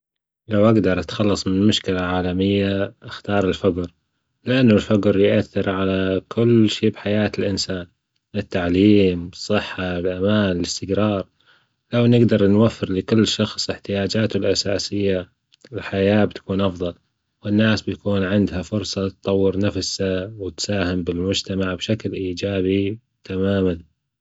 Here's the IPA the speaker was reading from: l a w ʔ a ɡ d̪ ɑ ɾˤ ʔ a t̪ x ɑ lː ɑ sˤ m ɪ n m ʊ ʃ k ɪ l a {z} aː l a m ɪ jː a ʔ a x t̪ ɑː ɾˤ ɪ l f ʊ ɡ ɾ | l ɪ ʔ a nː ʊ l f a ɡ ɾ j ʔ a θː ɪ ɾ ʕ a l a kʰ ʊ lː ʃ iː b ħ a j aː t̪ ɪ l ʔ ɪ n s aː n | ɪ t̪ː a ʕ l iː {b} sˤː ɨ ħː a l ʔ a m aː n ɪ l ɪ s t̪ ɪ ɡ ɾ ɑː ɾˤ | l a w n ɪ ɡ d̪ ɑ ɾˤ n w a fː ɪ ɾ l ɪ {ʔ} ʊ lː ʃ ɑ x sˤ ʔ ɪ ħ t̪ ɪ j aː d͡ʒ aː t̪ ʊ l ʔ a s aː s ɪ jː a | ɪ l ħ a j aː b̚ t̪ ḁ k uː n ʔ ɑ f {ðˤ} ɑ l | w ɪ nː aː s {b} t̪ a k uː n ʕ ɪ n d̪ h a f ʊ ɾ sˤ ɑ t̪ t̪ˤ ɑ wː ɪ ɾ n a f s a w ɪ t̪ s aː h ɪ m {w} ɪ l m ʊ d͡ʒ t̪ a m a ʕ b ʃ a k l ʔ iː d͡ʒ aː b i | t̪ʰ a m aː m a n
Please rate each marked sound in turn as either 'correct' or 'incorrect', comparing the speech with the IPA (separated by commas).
incorrect, incorrect, incorrect, correct, correct, incorrect